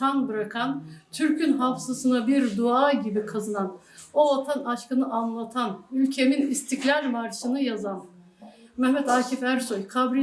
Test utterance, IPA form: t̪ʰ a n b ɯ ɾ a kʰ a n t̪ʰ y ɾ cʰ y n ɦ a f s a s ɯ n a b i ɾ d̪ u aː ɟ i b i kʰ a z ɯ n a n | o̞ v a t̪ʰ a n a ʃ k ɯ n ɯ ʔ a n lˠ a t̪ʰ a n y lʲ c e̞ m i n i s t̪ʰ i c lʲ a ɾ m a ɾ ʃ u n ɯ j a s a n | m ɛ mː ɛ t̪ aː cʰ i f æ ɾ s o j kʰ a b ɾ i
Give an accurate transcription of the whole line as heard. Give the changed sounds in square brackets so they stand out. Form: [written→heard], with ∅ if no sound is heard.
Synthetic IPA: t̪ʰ a n b ɯ ɾ a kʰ a n t̪ʰ y ɾ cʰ y n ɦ a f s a s ɯ n a b i ɾ d̪ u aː ɟ i b i kʰ a z ɯ n a n | o̞ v a t̪ʰ a n a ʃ k ɯ n ɯ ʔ a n lˠ a t̪ʰ a n y lʲ [c→cʰ] e̞ m i n i s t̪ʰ i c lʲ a ɾ m a ɾ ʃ [u→ɯ] n ɯ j a [s→z] a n | m ɛ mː ɛ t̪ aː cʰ i f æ ɾ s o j kʰ a b ɾ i